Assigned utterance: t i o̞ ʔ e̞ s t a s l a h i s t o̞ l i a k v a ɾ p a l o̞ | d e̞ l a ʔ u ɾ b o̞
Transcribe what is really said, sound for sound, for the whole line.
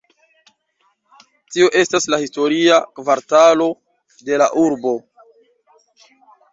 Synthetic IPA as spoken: t i o̞ ʔ e̞ s t a s l a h i s t o̞ ɾ i a k v a ɾ t a l o̞ | d e̞ l a ʔ u ɾ b o̞